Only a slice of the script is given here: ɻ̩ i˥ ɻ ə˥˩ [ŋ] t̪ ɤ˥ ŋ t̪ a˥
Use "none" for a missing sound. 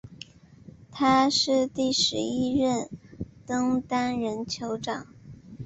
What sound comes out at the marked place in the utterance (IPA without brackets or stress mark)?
n